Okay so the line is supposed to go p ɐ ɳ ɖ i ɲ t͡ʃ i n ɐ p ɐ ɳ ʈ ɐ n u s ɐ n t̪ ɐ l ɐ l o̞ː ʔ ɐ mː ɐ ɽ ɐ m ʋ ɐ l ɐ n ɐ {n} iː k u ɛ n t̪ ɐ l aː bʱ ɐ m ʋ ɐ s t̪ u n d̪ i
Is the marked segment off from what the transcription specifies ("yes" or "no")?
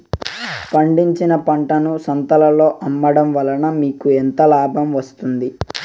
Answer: yes